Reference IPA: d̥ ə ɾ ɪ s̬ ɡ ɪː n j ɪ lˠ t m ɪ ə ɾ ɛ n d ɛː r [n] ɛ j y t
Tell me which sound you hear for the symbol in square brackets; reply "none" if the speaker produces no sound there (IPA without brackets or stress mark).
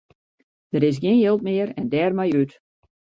m